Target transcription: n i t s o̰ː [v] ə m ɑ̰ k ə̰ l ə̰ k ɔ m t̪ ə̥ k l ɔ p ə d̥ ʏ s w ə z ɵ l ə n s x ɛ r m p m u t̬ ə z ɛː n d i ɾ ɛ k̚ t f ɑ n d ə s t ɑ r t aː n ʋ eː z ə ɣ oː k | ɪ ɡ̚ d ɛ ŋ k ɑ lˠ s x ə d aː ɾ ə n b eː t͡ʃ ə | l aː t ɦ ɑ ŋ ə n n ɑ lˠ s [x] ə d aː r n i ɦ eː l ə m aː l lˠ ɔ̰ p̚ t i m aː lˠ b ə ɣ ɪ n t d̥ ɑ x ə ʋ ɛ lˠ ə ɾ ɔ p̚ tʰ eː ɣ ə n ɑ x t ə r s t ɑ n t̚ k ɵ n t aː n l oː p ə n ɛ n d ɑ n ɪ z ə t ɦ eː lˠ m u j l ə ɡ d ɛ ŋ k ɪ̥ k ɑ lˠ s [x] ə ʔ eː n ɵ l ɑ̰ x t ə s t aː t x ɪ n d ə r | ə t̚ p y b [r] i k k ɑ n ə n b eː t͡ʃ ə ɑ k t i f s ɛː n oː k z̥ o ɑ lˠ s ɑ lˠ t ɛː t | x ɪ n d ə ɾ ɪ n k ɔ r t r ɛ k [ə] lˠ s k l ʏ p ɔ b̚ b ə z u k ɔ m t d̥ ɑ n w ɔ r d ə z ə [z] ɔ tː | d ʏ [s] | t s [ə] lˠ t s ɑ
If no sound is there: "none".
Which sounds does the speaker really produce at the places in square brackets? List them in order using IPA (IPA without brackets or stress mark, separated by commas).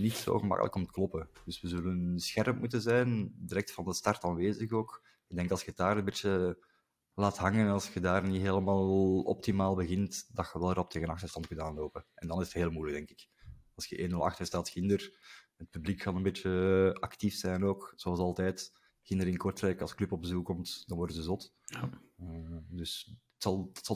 ɣ, x, x, l, ɑ, z, s, ɑ